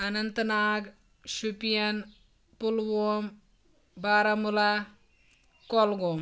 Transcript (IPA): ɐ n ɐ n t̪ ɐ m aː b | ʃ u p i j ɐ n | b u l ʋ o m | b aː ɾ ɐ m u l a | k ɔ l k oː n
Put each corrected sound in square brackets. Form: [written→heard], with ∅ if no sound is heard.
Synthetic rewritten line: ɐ n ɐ n t̪ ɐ [m→n] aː [b→ɡ] | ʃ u p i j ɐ n | [b→p] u l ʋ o m | b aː ɾ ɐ m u l a | k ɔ l [k→ɡ] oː [n→m]